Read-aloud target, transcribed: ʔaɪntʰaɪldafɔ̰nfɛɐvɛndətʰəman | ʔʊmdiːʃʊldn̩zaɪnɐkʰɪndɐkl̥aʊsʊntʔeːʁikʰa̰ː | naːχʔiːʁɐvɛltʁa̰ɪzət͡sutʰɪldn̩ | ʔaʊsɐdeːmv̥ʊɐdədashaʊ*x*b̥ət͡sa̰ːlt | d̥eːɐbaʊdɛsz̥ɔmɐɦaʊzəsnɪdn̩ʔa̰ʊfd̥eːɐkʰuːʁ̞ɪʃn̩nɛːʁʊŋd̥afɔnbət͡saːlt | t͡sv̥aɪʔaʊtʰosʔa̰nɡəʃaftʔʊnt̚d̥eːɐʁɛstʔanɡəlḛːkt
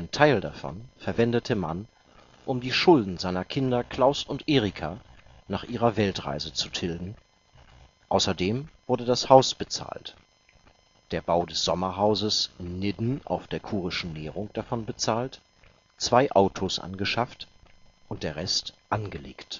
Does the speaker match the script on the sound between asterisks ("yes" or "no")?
no